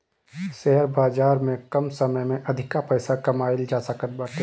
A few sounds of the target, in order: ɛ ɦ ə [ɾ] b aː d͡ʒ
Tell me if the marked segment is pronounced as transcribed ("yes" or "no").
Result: yes